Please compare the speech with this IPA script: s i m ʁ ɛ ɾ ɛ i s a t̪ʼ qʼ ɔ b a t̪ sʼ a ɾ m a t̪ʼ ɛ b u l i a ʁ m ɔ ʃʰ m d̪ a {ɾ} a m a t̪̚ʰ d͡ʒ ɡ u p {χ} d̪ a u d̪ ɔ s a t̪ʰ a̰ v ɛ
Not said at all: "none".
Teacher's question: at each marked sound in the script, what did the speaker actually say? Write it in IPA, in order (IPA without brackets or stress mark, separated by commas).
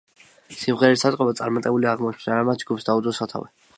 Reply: ɾ, s